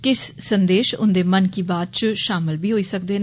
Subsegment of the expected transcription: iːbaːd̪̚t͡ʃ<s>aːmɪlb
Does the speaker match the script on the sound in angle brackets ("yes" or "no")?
no